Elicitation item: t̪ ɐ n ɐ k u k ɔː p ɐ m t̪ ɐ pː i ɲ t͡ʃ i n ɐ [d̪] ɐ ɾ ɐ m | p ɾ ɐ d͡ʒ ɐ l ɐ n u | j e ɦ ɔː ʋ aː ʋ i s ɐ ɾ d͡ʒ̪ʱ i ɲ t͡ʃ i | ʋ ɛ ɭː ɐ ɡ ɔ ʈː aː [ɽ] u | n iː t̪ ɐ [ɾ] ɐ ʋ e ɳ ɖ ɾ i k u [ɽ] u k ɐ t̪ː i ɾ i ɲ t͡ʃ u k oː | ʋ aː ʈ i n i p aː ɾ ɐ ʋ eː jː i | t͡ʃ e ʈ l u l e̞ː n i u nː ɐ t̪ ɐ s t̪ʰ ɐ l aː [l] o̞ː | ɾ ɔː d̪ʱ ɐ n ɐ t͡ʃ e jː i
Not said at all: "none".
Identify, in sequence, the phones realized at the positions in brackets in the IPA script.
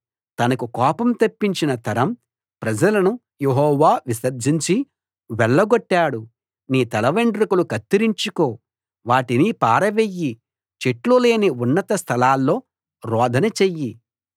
t̪, ɽ, l, l, lː

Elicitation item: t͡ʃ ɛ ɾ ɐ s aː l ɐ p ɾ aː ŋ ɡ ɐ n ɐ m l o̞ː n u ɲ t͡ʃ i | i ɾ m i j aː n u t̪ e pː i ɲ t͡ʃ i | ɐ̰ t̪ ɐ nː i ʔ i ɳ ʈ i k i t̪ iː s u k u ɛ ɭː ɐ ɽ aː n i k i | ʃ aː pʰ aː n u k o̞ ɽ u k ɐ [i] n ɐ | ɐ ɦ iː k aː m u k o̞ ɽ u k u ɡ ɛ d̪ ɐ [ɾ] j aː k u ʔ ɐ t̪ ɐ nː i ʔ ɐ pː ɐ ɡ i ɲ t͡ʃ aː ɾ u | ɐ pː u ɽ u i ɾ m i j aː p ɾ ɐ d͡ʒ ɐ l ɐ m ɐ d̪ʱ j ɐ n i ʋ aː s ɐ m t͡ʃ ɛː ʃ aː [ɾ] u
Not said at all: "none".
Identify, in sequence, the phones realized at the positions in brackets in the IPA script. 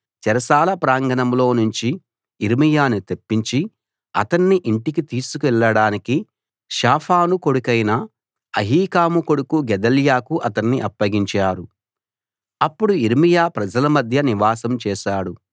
j, l, ɽ

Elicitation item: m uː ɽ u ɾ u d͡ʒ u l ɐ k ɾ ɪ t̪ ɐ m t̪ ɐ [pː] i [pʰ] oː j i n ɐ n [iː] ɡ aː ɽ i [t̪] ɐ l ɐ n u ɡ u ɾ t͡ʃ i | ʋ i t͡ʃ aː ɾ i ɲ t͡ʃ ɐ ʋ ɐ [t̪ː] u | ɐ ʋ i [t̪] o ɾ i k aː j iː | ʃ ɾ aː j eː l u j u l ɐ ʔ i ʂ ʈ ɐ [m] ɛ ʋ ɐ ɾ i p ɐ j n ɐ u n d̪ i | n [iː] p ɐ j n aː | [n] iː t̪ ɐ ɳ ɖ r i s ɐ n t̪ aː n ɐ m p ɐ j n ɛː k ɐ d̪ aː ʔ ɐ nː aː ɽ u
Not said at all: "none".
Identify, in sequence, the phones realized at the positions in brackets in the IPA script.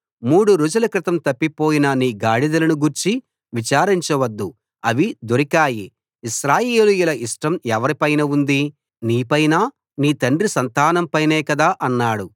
pː, p, iː, d̪, d̪ː, d̪, m, iː, n

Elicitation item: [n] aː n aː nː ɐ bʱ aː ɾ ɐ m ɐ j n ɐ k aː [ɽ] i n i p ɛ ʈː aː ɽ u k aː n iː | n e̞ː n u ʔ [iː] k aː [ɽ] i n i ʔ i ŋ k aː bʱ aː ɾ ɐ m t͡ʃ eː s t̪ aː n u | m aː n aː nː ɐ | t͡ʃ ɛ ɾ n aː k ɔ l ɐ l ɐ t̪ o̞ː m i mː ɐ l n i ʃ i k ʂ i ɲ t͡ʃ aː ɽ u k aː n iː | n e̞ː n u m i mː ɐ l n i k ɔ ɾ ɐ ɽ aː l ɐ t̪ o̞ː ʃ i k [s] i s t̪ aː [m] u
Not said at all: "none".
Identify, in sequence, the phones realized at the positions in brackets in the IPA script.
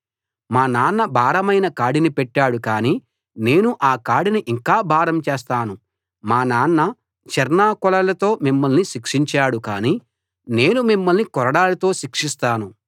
m, ɽ, aː, ɽ, ʂ, n

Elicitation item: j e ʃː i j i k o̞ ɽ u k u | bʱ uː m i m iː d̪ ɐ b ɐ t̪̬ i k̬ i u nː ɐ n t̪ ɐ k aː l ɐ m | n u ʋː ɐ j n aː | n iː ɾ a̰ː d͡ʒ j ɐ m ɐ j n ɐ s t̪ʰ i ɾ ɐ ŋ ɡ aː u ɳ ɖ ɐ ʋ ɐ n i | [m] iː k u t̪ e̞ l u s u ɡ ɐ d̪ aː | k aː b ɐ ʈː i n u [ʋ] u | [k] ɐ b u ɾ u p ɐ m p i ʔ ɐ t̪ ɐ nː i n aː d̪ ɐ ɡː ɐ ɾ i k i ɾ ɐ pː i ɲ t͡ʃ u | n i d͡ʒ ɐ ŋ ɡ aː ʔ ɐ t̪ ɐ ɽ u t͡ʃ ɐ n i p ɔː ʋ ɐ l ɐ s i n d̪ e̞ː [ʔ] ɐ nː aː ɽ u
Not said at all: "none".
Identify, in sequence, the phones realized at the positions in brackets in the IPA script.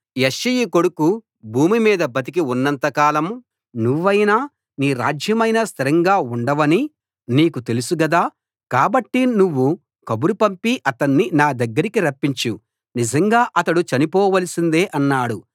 n, ʋː, k, ʔ

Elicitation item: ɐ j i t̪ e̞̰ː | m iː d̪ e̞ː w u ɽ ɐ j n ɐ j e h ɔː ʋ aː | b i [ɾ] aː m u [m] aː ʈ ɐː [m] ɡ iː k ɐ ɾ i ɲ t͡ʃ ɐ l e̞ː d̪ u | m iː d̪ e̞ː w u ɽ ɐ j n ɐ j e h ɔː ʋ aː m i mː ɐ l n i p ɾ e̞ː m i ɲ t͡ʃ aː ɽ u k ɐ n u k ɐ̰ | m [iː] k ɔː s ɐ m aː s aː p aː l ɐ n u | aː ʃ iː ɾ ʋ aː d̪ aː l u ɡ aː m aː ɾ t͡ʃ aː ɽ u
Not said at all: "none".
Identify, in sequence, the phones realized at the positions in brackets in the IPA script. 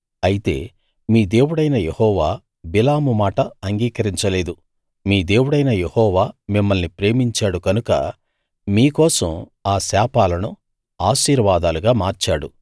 l, m, ŋ, iː

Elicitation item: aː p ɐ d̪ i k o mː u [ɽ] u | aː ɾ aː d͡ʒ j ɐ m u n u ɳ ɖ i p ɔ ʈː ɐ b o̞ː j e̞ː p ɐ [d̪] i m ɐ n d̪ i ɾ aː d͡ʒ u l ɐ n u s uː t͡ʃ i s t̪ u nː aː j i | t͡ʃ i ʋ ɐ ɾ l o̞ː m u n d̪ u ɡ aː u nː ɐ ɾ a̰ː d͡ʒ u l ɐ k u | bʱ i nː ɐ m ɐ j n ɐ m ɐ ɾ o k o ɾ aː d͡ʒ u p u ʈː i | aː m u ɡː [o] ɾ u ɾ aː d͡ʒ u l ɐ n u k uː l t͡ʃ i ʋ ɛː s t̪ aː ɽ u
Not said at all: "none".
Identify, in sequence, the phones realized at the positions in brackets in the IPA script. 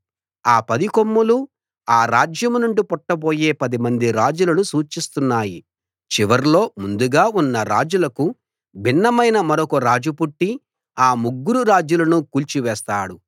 l, d̪, u

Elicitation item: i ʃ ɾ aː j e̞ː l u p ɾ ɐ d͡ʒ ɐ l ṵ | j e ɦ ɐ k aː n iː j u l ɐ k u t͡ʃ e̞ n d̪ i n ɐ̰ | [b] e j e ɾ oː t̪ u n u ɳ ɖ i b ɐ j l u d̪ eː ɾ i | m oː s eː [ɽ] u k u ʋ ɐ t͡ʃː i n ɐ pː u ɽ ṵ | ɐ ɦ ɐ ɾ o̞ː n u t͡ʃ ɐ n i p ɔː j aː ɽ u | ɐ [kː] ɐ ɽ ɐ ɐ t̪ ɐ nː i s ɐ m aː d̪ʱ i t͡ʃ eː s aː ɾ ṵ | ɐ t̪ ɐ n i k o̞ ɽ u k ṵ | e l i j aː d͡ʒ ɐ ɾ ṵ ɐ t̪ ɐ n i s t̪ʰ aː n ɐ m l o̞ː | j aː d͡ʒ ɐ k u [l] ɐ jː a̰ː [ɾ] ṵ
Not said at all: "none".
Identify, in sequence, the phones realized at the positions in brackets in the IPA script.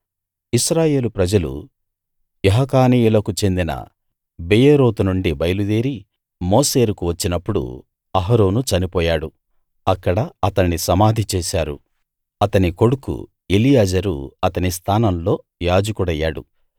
b, ɾ, kː, ɽ, ɽ

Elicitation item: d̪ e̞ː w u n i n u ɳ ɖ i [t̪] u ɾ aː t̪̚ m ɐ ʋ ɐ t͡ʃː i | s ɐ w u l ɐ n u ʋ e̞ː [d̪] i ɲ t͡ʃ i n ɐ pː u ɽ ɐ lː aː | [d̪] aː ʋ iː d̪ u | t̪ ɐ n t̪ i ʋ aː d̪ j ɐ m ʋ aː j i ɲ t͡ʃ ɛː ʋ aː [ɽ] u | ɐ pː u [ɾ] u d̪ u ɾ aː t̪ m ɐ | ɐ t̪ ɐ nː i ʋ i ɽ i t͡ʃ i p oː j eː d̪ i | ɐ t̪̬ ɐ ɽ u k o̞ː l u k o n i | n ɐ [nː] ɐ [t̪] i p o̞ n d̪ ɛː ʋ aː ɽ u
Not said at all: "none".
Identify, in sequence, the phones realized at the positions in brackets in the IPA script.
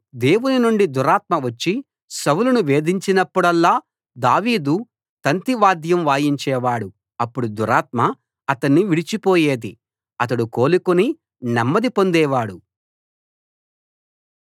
d̪, d̪, d̪, ɽ, ɽ, mː, d̪

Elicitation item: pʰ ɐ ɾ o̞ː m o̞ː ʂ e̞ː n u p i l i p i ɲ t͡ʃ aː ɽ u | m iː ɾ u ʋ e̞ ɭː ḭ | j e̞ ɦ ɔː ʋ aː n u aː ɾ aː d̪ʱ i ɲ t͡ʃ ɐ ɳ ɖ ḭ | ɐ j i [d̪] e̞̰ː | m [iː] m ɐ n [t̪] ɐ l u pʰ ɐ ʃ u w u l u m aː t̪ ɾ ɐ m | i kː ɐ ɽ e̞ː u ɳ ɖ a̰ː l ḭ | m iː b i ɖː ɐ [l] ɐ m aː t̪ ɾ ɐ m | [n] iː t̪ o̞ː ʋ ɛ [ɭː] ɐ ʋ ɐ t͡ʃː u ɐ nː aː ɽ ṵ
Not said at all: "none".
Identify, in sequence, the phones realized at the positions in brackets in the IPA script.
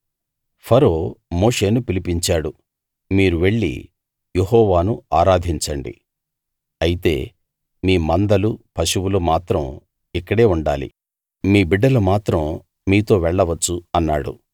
t̪, iː, d̪, l, m, ɭː

